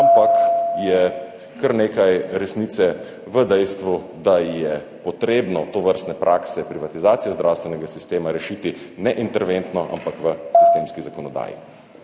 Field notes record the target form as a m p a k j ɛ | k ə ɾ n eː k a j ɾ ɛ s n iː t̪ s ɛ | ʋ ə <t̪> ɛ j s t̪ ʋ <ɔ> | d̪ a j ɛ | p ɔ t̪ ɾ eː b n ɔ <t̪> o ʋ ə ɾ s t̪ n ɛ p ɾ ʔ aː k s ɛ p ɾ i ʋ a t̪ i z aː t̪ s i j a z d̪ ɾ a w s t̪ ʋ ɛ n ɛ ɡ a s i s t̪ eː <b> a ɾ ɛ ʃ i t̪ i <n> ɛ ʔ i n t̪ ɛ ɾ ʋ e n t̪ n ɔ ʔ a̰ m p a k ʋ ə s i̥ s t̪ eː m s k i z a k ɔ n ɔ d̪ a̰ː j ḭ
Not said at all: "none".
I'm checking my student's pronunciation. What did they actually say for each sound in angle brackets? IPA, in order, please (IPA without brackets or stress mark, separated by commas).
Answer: d̪, u, t̪, m, n